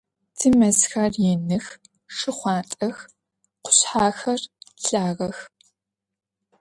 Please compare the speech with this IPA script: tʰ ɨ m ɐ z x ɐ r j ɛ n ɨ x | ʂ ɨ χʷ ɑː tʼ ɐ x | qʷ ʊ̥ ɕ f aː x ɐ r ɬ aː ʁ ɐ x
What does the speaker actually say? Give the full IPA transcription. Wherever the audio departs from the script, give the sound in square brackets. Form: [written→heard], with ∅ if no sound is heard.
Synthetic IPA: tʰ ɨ m ɐ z x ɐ r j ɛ n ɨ x | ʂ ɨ χʷ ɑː tʼ ɐ x | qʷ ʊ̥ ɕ [f→ħ] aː x ɐ r ɬ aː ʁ ɐ x